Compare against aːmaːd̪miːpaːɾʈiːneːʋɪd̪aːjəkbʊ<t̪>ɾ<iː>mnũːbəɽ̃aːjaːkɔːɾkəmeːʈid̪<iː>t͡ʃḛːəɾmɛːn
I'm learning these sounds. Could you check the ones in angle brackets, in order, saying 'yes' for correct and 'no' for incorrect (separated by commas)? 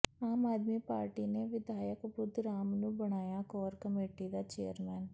no, no, no